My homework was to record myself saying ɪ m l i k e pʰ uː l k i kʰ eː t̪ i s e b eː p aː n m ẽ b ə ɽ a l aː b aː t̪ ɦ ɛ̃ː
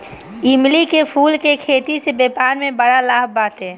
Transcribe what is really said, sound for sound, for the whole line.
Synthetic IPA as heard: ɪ m l i k e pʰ uː l k e kʰ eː t̪ i s e b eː p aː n m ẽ b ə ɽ a l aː b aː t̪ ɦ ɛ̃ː